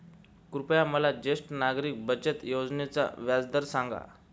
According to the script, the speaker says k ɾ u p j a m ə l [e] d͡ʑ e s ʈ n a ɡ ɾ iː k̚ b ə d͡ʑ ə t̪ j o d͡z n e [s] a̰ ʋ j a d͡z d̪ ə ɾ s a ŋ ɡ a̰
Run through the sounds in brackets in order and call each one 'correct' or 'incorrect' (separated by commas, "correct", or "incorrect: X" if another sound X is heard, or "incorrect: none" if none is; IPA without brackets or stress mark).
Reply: incorrect: a, incorrect: t͡s